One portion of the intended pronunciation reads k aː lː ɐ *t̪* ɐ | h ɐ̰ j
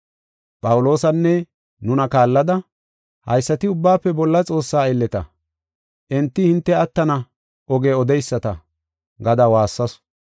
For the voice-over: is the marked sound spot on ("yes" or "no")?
no